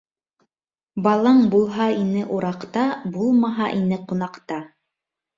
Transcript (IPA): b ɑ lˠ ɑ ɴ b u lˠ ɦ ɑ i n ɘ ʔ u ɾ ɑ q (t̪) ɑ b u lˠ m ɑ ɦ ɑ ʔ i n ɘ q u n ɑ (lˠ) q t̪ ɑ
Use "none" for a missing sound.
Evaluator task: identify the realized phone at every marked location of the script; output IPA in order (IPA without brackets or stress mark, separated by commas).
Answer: t̪, none